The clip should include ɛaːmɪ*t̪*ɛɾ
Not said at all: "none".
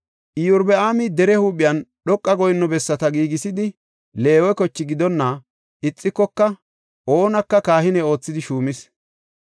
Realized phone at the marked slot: d̪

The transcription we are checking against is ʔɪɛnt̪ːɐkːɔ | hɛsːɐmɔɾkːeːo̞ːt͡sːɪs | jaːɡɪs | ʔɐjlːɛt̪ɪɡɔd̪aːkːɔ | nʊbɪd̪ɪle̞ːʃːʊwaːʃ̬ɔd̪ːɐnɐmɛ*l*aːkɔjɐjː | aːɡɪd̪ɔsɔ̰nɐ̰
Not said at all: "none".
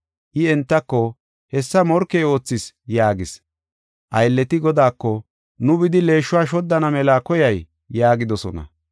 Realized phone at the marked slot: l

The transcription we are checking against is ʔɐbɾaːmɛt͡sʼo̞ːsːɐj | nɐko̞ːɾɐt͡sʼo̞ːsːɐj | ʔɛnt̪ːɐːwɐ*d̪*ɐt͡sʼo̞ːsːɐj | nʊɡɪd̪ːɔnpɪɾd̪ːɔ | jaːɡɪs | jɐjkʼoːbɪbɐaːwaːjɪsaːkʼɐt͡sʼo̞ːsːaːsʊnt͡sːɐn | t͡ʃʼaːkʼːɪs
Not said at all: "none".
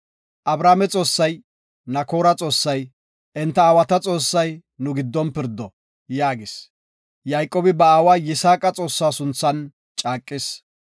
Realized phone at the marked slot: t̪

